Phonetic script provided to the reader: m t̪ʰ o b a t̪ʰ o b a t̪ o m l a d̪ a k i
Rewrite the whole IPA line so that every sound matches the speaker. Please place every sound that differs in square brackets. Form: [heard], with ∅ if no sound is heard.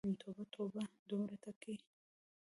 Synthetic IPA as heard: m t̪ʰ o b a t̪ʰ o b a [d̪] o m [ɾ] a [t̪] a k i